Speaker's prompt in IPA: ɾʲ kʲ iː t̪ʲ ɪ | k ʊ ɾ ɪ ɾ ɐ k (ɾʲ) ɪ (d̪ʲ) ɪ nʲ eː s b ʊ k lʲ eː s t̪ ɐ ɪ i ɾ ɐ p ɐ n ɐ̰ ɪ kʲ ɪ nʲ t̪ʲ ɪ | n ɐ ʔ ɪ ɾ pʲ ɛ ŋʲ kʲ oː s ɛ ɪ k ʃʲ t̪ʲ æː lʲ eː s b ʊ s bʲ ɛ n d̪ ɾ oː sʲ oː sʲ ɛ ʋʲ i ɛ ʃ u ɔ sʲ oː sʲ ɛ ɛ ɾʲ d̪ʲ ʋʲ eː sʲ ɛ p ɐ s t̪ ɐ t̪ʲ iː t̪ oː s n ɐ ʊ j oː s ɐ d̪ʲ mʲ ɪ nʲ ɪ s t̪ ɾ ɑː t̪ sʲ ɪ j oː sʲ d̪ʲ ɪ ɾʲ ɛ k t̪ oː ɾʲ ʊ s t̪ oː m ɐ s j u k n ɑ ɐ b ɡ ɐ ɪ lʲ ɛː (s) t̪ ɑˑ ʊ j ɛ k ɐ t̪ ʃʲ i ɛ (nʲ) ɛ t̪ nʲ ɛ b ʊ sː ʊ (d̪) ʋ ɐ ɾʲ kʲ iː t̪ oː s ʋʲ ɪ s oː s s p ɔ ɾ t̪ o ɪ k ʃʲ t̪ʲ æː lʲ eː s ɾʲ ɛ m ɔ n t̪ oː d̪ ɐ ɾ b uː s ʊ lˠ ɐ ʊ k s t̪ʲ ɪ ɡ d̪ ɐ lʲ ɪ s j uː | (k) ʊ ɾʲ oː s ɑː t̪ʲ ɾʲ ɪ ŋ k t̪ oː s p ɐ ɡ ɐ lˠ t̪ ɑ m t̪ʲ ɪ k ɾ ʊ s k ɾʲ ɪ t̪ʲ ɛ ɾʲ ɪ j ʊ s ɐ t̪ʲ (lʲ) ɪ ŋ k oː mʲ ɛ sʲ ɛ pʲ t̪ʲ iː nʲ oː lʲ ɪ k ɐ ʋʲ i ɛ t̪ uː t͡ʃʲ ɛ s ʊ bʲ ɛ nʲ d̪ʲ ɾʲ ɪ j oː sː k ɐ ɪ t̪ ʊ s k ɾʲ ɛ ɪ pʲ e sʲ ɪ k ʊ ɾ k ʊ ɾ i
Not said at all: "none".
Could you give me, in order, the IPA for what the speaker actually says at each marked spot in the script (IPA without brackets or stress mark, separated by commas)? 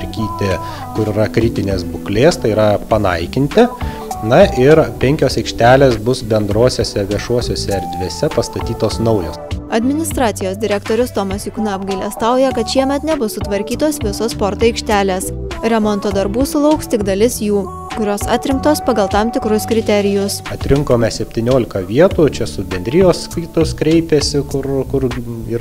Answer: ɾʲ, t̪ʲ, s, mʲ, t̪, k, ɾʲ